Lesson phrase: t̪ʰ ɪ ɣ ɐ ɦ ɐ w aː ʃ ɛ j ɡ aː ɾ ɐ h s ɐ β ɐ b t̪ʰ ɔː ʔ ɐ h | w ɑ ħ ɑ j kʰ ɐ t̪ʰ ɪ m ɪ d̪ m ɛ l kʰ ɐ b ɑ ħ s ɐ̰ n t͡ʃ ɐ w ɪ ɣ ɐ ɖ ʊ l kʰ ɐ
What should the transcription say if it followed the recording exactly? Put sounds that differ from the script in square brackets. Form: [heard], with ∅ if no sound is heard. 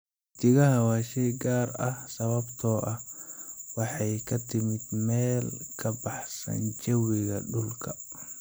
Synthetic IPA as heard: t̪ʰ ɪ ɣ ɐ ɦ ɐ w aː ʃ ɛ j ɡ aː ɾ ɐ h s ɐ β ɐ b t̪ʰ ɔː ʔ ɐ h | w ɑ ħ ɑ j kʰ ɐ t̪ʰ ɪ m ɪ d̪ m [ɛː] l kʰ ɐ b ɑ ħ s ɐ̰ n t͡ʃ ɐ w ɪ ɣ ɐ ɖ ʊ l kʰ ɐ